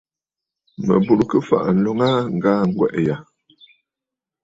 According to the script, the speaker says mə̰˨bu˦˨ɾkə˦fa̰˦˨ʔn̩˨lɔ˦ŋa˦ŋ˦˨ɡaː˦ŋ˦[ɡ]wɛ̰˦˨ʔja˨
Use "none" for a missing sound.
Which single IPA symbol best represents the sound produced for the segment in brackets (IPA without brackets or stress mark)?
ɡ